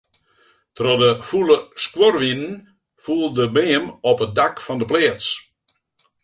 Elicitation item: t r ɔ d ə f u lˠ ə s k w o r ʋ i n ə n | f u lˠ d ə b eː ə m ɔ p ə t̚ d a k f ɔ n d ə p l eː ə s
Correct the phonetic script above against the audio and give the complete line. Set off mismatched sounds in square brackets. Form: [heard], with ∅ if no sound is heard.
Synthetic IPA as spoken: t r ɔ d ə f u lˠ ə s k w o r ʋ i n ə n | f u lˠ d ə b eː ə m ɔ p ə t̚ d a k f ɔ n d ə p l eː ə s